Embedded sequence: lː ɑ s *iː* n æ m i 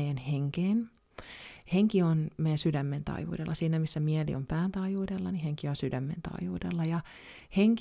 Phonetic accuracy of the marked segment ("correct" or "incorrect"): correct